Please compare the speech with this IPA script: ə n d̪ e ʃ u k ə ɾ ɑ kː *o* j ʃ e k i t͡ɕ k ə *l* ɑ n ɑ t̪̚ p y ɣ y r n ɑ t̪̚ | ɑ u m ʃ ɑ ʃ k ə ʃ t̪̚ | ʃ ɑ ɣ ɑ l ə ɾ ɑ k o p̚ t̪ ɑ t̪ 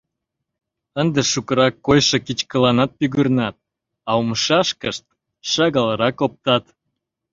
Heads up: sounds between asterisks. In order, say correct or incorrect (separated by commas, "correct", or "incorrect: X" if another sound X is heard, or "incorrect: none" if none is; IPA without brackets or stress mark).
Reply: correct, correct